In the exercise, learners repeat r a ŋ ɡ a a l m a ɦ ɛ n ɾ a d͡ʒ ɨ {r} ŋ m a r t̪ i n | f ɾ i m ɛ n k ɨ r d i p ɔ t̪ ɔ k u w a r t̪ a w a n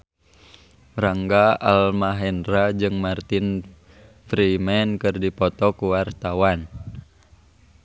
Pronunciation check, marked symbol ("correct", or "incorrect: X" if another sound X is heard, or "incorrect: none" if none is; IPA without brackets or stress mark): incorrect: none